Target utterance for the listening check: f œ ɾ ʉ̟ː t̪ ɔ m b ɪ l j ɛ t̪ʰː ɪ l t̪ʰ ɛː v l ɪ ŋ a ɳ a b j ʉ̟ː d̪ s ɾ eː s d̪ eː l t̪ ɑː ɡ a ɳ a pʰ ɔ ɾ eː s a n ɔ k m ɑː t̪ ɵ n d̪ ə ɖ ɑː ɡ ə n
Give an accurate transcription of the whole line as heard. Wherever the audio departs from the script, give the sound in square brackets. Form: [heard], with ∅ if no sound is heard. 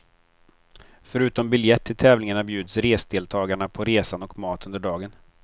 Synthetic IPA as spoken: f œ ɾ ʉ̟ː t̪ ɔ m b ɪ l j ɛ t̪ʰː ɪ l t̪ʰ ɛː v l ɪ ŋ a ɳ a b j ʉ̟ː d̪ s ɾ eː s d̪ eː l [t̪ʰ] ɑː ɡ a ɳ a pʰ ɔ ɾ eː s a n ɔ k m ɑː t̪ ɵ n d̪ ə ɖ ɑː ɡ ə n